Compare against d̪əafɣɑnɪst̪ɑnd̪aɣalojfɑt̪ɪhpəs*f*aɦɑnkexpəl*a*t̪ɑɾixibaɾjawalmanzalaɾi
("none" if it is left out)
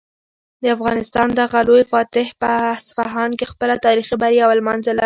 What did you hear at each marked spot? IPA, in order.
f, a

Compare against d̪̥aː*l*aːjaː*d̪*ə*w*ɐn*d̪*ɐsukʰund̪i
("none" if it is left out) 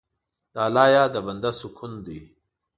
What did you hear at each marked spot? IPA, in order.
l, d̪, b, d̪

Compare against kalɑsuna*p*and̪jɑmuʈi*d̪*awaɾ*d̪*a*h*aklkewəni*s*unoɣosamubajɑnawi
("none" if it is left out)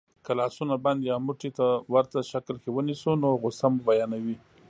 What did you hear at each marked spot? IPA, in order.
b, t̪, t̪, ʃ, s

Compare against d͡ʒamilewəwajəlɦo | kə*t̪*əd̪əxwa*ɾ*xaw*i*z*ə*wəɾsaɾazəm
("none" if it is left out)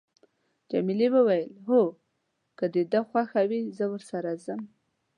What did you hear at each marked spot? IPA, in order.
d̪, none, i, ə

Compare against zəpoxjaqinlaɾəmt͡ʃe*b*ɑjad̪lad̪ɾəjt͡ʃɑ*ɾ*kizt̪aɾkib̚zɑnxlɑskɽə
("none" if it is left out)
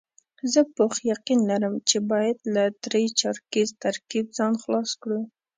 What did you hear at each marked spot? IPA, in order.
b, ɾ

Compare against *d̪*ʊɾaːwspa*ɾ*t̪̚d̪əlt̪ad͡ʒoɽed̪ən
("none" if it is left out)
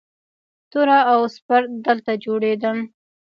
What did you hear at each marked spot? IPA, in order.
t̪, ɾ

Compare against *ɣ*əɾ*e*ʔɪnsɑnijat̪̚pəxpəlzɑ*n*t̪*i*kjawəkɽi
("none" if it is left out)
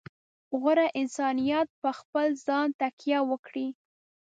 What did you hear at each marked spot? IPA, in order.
ɣ, a, n, a

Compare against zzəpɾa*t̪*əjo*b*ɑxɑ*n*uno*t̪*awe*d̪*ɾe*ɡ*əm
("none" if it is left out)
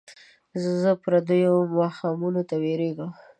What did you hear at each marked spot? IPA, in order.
d̪, m, m, t̪, none, ɡ

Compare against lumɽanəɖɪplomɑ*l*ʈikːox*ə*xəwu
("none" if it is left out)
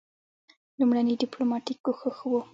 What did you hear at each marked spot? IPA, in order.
none, ə

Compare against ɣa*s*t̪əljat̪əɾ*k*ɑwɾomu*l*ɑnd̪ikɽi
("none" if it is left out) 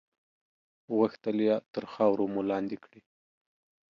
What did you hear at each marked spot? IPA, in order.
x, x, l

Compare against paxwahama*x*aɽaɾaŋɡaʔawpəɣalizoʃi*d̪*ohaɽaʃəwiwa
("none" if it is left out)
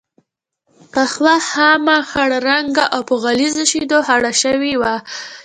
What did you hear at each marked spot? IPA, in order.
x, d̪

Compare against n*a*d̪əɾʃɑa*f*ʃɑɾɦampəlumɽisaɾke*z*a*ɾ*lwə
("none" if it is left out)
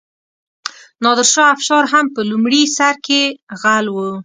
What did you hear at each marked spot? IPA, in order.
ɑ, f, ɣ, none

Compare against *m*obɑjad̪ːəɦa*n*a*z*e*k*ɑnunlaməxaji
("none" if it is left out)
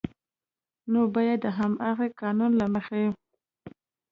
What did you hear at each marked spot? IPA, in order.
n, m, ɣ, k

